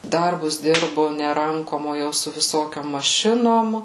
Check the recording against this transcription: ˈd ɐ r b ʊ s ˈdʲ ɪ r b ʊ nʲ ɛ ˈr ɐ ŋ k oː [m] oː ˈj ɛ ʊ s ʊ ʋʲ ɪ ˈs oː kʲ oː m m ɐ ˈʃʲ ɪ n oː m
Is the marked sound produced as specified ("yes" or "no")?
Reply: yes